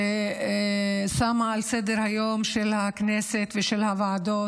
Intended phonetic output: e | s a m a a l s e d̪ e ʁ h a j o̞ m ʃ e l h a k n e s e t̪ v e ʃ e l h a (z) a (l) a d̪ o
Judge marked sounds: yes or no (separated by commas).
no, no